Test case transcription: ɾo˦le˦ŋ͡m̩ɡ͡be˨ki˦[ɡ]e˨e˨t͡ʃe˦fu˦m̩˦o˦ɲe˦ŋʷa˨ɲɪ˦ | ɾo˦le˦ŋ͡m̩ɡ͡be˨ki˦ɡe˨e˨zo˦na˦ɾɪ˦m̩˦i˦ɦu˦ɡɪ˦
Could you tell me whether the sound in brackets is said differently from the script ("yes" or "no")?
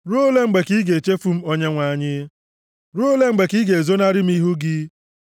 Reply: no